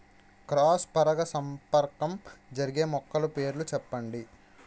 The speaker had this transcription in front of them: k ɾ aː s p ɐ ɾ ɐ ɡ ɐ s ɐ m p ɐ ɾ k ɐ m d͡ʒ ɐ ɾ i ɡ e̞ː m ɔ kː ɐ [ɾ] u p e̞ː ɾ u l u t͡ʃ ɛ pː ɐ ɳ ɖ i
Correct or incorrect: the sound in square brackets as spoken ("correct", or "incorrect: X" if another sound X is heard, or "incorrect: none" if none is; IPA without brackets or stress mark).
incorrect: l